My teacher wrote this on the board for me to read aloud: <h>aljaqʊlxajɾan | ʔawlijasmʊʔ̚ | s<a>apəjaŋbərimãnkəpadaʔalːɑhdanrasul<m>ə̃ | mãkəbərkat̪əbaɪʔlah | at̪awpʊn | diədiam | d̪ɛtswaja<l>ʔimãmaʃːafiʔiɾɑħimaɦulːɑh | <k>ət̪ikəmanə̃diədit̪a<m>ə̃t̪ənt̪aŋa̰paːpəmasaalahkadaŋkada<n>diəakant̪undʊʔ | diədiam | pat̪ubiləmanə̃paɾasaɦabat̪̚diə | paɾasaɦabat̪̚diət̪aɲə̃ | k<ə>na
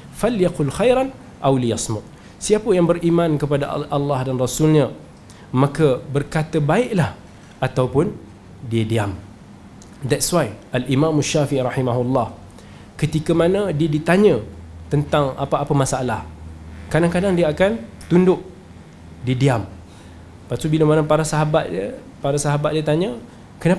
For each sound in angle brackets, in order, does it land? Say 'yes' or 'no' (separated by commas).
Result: no, no, no, yes, yes, no, no, yes